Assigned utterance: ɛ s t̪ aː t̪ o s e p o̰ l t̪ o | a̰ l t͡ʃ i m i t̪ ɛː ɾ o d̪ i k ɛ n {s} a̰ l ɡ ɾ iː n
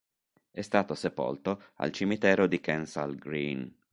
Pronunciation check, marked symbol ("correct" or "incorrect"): correct